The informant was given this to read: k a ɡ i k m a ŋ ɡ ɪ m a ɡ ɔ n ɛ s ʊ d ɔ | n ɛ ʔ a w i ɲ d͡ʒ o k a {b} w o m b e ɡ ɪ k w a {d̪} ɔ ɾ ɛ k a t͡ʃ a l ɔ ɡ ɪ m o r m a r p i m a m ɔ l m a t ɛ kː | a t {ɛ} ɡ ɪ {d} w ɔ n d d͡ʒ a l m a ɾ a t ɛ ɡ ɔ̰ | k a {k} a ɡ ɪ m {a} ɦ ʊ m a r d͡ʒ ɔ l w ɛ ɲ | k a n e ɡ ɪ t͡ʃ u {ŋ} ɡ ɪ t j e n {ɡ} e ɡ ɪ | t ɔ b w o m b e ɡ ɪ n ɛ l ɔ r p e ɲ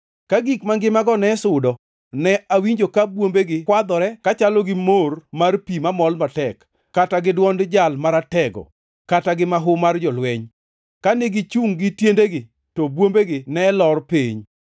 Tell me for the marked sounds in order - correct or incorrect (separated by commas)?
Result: correct, correct, incorrect, correct, incorrect, correct, correct, incorrect